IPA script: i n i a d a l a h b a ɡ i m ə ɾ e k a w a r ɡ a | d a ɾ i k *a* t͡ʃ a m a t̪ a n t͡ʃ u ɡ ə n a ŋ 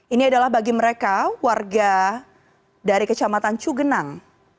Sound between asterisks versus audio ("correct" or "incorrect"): incorrect